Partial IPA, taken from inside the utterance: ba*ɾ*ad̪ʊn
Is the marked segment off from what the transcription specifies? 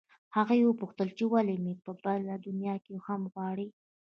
yes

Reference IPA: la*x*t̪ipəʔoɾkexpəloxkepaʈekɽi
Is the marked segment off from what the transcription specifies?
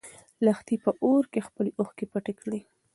no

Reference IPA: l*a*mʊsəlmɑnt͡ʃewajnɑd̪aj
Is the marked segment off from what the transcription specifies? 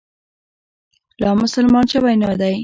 yes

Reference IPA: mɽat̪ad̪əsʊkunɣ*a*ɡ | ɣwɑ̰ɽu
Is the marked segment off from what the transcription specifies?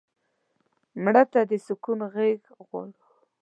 yes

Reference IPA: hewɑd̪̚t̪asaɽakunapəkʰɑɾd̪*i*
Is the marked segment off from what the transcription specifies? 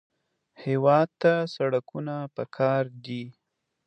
no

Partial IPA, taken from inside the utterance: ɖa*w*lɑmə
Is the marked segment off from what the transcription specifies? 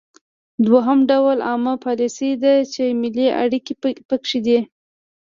no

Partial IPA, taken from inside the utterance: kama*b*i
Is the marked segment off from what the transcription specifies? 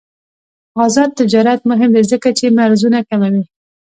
yes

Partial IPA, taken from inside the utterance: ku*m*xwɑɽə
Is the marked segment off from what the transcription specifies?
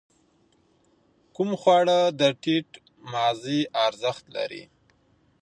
no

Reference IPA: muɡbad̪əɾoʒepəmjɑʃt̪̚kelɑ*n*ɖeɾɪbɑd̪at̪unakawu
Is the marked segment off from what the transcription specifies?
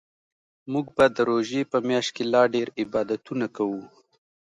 yes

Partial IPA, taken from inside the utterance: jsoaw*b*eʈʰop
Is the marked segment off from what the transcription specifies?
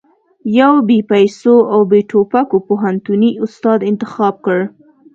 no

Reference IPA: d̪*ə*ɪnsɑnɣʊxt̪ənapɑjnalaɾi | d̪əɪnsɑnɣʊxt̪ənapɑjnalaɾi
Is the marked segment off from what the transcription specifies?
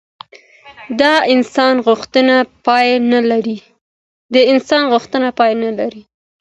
yes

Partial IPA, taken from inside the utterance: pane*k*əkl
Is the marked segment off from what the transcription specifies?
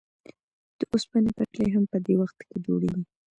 yes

